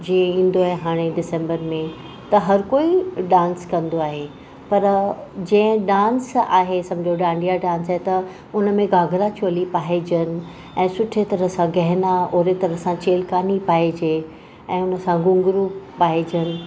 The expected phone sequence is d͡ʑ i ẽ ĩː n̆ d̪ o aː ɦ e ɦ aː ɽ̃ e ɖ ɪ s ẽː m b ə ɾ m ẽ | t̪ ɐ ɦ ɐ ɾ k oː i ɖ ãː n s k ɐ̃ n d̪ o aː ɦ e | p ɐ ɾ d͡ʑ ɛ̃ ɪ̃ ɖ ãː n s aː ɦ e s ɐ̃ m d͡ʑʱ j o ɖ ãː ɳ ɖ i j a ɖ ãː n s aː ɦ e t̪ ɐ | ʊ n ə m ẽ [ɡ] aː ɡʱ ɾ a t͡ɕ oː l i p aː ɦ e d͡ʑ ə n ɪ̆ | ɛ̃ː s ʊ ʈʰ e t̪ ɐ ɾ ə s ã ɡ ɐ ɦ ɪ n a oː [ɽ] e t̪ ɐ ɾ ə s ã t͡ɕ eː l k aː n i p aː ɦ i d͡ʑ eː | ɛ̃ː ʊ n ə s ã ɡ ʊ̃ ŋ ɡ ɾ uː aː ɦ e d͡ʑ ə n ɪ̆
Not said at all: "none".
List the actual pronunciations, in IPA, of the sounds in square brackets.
ɡ, ɾ

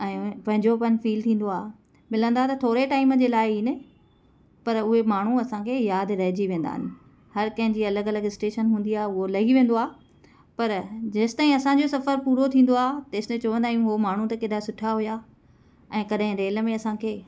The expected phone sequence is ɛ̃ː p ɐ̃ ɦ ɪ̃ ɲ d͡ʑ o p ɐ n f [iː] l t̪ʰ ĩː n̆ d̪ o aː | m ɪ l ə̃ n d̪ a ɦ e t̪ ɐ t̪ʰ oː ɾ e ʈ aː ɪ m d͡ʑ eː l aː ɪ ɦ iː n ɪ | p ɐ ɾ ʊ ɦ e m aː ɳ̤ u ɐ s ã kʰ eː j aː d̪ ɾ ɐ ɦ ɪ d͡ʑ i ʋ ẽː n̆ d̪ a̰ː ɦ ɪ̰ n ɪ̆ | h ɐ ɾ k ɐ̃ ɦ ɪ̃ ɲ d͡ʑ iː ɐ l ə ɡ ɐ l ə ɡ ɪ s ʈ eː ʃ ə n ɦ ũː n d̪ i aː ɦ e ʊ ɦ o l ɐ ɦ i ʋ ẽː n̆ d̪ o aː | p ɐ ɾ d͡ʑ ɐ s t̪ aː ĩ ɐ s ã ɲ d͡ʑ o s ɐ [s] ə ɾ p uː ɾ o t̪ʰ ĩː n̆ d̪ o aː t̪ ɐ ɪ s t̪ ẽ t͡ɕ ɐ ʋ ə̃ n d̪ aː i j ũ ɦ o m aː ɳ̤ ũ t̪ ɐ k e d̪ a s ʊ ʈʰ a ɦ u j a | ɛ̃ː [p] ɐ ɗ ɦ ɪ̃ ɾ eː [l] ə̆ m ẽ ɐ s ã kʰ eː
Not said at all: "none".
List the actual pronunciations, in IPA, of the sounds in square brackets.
iː, f, k, l

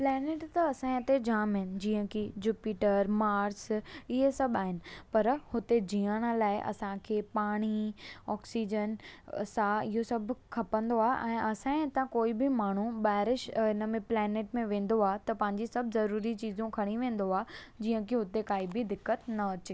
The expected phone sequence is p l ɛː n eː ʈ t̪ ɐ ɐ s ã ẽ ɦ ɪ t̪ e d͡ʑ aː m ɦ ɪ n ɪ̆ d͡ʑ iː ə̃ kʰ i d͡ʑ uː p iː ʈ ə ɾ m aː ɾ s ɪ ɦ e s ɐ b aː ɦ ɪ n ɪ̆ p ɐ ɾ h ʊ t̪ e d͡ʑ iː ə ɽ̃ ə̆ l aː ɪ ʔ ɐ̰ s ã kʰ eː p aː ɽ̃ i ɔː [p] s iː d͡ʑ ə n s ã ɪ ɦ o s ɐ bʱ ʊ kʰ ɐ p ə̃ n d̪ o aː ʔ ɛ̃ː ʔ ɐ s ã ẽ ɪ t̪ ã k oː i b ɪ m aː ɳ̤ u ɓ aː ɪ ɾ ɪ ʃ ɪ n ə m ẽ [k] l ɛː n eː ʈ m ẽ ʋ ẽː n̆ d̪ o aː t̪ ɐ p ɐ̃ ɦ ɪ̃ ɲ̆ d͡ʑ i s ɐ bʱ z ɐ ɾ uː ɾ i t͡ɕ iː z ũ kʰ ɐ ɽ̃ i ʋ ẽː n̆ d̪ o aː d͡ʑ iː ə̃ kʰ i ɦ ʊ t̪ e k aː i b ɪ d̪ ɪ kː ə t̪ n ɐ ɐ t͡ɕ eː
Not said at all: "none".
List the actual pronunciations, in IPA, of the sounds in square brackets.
k, p

